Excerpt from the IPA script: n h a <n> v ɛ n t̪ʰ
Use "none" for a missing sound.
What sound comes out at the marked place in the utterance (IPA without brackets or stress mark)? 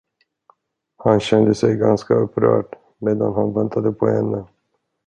n